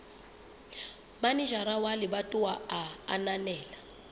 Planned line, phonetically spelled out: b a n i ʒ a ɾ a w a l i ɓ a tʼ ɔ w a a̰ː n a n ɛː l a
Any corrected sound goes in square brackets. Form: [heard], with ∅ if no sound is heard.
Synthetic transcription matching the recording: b a n i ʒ a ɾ a w a l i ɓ a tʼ [u] w a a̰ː n a n ɛː l a